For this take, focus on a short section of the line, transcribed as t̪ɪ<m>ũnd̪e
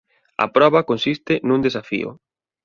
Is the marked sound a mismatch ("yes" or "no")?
yes